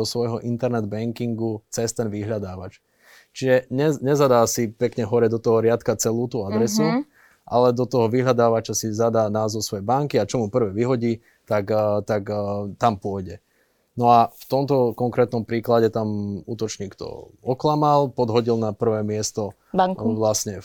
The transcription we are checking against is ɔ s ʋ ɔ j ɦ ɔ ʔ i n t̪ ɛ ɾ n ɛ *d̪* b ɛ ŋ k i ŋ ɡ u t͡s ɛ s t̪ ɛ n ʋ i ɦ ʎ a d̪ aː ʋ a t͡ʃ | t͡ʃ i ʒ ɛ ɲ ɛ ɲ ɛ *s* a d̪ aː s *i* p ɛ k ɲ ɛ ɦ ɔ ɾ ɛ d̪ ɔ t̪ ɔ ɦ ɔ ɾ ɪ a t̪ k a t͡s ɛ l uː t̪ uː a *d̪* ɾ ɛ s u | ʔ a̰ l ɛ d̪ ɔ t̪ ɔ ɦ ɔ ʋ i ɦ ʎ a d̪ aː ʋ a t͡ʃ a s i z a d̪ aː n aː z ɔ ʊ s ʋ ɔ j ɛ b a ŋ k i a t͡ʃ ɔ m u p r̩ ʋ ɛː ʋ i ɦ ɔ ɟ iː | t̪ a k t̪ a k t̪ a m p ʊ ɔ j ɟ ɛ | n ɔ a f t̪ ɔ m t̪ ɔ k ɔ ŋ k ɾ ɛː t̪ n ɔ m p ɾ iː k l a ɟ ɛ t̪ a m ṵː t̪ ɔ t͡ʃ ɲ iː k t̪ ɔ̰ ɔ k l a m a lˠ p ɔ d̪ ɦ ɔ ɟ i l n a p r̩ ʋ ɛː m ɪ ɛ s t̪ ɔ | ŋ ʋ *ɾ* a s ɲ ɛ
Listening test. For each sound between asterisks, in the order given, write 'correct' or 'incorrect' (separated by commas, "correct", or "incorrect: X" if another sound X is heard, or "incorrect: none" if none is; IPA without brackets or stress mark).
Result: correct, incorrect: z, correct, correct, incorrect: l